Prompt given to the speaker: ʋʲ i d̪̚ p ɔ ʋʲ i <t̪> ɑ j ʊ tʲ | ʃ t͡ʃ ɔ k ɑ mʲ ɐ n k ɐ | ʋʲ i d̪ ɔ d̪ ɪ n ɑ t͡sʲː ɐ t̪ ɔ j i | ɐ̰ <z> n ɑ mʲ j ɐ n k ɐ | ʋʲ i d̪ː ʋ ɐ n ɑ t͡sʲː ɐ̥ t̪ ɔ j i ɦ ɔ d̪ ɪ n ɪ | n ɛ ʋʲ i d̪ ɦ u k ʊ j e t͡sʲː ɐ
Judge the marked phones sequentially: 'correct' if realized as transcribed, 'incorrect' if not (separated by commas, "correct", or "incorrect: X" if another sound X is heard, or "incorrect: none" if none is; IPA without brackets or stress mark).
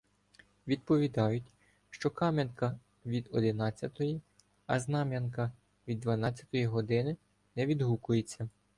incorrect: d̪, correct